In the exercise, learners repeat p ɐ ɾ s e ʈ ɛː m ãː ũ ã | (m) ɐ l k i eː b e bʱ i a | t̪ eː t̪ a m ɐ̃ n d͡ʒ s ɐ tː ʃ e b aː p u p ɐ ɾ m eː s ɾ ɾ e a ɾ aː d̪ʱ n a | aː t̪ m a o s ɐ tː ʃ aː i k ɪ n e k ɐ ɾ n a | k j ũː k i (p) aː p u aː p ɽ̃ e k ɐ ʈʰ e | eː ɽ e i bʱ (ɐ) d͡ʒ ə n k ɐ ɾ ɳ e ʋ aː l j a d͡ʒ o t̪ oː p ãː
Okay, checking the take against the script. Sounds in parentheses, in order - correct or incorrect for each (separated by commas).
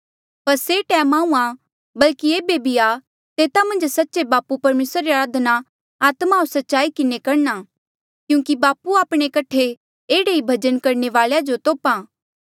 incorrect, incorrect, correct